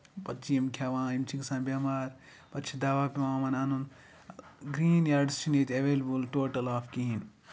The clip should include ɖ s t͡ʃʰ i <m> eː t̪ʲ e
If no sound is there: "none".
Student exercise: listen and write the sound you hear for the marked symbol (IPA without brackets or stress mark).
n